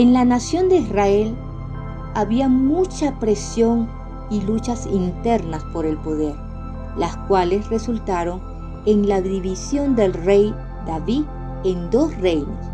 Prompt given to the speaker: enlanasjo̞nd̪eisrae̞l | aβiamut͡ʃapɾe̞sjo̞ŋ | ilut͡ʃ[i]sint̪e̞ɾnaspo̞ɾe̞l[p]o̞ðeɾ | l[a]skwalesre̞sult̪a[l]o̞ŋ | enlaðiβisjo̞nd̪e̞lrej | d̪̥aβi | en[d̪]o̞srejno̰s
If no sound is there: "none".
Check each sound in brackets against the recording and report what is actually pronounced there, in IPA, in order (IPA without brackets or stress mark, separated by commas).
a, p, a, ɾ, d̪